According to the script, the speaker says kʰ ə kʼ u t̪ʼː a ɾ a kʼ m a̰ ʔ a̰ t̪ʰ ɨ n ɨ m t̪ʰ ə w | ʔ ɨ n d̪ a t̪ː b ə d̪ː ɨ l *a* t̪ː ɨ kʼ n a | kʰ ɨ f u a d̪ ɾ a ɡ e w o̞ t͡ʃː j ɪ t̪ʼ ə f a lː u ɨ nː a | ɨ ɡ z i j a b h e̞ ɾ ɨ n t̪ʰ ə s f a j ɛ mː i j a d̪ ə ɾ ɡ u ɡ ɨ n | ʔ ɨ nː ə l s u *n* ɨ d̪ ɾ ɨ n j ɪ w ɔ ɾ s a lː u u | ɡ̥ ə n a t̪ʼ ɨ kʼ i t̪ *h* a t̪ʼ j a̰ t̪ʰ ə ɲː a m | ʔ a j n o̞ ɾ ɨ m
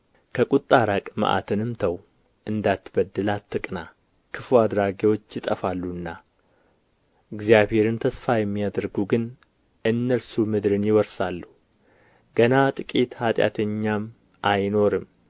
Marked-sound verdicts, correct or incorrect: correct, incorrect: m, correct

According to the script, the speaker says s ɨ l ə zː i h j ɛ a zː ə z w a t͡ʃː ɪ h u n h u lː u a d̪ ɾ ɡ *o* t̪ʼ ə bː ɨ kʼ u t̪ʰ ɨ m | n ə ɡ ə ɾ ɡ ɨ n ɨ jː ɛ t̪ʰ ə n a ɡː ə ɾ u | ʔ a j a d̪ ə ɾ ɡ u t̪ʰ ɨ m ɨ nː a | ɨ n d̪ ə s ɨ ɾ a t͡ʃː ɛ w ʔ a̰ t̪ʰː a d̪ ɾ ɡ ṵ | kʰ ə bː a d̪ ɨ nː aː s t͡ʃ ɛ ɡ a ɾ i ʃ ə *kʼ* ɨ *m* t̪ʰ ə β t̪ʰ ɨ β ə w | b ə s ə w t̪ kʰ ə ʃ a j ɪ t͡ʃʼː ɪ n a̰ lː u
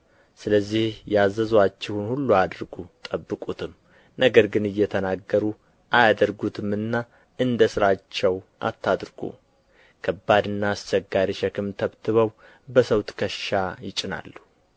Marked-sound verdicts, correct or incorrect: incorrect: u, incorrect: k, correct

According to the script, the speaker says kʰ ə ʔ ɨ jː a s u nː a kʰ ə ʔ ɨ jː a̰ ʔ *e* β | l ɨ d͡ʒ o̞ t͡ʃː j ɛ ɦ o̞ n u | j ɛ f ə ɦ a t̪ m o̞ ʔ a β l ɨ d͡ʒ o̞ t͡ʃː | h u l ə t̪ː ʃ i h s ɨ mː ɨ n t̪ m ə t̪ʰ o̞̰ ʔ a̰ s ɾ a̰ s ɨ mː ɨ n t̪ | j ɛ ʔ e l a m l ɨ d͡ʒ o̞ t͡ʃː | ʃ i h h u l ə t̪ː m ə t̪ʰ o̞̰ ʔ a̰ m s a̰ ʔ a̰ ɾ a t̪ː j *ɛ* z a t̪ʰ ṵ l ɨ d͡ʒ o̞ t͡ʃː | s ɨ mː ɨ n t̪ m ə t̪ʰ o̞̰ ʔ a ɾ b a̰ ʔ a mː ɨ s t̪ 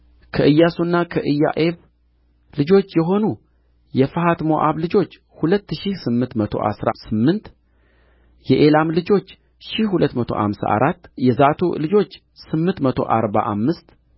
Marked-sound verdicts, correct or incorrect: correct, correct

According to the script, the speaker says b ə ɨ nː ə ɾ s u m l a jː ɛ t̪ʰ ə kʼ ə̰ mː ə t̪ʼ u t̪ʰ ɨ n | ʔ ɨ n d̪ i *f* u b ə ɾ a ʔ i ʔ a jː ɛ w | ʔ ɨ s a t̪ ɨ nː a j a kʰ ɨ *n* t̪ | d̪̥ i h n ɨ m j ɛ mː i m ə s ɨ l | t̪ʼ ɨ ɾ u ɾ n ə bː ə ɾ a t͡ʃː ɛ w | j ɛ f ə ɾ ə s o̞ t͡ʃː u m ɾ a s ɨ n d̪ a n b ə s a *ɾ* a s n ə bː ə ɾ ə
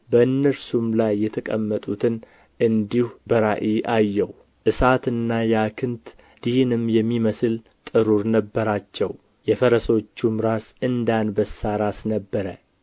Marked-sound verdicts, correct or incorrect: incorrect: h, correct, correct

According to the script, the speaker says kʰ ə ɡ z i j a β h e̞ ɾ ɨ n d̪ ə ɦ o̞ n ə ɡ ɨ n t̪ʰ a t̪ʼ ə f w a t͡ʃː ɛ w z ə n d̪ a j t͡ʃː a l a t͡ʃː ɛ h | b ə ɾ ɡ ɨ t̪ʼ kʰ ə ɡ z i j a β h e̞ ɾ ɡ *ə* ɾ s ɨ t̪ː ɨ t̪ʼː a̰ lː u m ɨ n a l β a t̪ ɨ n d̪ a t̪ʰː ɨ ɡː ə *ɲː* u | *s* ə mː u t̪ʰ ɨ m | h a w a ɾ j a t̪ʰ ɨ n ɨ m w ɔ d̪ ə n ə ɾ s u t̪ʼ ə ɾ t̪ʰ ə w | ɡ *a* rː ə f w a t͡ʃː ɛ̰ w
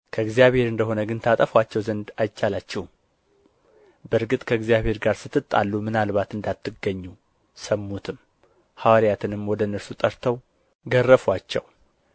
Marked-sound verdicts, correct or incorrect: incorrect: a, correct, correct, incorrect: ə

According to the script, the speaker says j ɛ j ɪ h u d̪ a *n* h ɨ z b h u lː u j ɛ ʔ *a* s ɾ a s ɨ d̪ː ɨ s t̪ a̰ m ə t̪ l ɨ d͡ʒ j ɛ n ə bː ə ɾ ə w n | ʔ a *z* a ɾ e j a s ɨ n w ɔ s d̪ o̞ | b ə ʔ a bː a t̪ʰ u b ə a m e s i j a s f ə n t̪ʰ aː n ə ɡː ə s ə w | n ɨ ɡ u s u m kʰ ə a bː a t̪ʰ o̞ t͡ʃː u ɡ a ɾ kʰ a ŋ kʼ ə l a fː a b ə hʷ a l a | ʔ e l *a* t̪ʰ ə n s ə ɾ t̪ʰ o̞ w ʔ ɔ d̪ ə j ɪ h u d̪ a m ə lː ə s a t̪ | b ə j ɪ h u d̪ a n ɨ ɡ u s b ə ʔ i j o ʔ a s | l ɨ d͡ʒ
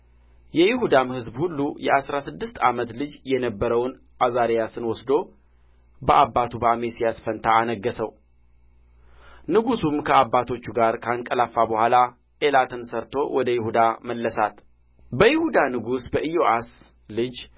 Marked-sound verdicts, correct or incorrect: incorrect: m, correct, correct, correct

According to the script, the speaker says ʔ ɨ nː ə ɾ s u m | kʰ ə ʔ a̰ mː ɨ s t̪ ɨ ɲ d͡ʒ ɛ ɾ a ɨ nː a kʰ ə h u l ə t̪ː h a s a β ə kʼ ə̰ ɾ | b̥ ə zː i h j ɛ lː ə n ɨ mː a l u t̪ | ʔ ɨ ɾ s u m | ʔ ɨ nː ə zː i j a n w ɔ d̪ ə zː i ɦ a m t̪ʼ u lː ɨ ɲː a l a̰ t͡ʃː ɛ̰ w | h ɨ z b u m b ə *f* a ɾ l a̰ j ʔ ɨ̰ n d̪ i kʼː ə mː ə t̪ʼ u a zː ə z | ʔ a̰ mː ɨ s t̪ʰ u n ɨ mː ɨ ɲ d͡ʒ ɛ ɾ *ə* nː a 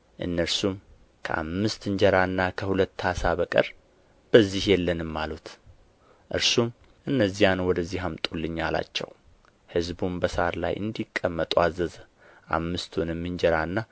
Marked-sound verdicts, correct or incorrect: incorrect: s, incorrect: a

